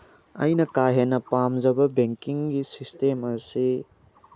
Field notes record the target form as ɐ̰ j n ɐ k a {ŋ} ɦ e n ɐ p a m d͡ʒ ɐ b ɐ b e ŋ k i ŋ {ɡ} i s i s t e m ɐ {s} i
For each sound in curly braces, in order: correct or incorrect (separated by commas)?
incorrect, correct, correct